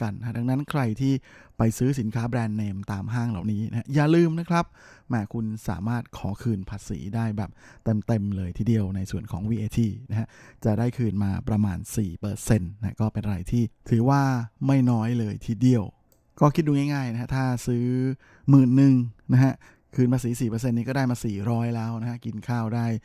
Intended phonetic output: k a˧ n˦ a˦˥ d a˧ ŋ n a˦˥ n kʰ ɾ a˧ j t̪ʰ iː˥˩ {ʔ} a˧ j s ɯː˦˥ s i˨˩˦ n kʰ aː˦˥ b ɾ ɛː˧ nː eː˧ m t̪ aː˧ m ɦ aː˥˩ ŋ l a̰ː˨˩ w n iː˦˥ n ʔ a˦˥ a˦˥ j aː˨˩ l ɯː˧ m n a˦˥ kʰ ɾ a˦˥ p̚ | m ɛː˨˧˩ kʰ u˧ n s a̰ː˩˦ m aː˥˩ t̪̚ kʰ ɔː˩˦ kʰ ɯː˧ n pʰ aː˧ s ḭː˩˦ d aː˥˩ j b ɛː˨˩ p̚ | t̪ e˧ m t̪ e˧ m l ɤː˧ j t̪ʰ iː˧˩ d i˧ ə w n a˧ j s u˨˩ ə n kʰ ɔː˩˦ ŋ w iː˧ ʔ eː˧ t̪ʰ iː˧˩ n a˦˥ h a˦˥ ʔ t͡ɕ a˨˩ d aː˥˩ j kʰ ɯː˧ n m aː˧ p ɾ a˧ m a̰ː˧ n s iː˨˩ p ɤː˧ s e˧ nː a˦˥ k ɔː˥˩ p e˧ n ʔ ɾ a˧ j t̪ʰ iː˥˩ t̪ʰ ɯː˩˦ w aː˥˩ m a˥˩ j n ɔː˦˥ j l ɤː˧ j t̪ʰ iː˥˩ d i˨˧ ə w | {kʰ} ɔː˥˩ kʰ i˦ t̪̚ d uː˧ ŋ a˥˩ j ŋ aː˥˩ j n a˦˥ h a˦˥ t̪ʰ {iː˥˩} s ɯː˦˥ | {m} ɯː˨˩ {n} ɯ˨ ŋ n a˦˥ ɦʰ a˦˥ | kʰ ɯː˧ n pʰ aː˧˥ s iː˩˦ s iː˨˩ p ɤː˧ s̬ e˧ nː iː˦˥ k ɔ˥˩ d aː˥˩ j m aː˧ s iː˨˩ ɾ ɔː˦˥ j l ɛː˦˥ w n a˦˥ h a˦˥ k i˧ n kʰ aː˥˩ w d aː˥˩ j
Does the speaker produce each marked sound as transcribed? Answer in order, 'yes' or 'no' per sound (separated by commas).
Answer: no, no, no, yes, no